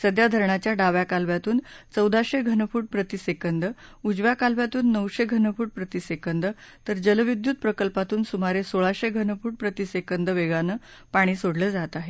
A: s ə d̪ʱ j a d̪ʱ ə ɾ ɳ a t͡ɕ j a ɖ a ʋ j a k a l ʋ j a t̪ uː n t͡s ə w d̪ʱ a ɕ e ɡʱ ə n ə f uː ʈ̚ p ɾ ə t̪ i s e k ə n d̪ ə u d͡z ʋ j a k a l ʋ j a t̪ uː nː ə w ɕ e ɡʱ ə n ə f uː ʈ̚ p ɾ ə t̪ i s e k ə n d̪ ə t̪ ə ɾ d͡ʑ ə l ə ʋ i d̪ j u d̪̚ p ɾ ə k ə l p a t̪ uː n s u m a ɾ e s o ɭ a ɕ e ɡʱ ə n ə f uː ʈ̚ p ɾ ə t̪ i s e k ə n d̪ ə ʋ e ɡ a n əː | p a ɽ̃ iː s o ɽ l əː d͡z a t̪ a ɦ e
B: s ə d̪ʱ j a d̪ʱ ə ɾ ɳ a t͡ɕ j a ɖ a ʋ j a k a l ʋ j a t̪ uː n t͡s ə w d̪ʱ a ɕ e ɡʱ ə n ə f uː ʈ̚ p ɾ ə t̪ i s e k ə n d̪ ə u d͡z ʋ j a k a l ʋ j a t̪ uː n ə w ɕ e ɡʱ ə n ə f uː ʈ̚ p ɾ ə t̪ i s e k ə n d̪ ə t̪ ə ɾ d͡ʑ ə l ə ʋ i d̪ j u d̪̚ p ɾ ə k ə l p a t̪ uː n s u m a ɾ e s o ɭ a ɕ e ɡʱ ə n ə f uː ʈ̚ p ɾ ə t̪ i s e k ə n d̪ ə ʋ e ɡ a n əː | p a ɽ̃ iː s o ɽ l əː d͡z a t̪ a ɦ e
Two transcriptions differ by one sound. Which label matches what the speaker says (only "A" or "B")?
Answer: A